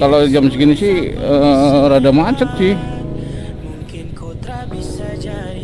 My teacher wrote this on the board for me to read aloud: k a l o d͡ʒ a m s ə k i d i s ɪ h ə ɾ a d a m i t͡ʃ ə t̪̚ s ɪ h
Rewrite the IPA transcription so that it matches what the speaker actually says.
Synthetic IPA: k a l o d͡ʒ a m s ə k i n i s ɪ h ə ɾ a d a m a t͡ʃ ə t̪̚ s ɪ h